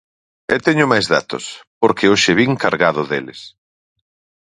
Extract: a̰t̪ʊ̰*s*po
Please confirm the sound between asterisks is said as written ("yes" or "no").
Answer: yes